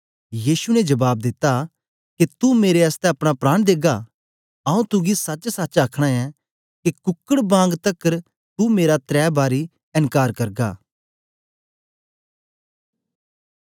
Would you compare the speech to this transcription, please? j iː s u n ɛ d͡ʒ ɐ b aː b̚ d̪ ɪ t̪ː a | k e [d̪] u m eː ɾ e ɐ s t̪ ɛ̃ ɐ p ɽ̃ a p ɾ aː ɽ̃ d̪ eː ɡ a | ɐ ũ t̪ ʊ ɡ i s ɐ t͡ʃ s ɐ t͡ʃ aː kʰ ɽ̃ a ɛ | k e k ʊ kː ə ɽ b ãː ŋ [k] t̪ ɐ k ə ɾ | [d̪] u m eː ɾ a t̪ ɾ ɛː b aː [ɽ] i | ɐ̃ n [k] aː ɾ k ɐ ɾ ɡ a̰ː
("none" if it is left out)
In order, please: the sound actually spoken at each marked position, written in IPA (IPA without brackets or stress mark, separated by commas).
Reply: t̪, ɡ, t̪, ɾ, k